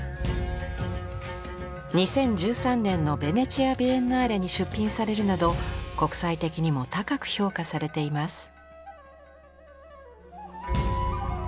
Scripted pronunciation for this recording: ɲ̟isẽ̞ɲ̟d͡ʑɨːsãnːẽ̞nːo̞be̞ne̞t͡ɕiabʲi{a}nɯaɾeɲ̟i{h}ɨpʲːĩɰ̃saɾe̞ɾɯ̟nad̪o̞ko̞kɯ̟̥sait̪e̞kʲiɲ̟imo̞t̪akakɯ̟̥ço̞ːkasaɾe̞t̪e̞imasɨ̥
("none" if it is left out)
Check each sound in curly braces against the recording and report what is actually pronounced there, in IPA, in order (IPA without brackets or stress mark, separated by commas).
e, ɕ